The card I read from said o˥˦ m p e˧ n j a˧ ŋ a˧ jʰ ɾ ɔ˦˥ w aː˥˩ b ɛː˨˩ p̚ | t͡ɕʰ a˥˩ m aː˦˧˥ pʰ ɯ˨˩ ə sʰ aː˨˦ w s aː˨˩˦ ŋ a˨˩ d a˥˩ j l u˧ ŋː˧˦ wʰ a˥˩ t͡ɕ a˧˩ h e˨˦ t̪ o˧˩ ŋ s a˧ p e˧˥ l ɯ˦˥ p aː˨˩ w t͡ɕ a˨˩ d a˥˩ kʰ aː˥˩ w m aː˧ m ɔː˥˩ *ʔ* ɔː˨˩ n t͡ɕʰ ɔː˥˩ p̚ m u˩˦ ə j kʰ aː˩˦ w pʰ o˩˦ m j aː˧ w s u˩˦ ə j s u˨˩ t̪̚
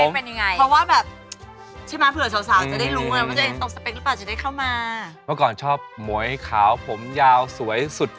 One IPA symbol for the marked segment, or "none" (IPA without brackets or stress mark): k